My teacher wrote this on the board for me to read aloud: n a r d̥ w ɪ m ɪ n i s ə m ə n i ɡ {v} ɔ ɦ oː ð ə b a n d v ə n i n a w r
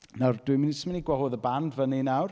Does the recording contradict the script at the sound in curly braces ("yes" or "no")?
yes